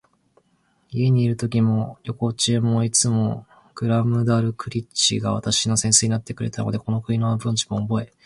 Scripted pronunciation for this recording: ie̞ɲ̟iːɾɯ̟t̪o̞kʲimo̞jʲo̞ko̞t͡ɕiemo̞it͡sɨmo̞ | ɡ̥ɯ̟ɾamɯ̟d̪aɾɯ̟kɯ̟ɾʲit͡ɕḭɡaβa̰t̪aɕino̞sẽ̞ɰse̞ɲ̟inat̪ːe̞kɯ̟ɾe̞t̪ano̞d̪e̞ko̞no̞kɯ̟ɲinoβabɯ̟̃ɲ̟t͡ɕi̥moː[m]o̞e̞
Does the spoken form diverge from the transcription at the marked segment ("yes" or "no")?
yes